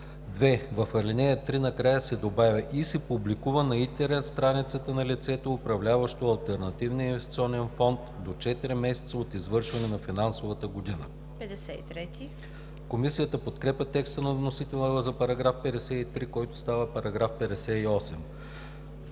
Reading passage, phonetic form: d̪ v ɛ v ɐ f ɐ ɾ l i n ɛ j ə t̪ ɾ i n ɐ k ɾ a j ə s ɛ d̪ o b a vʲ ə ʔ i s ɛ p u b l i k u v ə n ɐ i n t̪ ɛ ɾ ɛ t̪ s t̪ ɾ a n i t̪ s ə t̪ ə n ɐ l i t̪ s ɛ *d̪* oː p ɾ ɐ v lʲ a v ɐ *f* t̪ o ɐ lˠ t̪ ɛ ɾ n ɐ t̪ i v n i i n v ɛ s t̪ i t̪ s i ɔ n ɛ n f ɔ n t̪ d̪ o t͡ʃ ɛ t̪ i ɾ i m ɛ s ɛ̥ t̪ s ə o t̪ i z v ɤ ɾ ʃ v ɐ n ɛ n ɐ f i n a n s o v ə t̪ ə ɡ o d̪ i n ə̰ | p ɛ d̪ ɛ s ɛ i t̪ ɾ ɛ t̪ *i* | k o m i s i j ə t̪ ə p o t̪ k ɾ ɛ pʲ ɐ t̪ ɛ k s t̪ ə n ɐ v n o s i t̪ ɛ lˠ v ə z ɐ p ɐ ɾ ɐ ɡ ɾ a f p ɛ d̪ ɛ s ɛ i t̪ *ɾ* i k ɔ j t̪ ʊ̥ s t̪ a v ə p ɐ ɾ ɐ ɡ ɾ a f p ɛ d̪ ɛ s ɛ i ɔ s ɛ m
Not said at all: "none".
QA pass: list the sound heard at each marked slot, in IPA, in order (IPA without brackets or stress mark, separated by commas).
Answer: t̪, ʃ, i, ɾ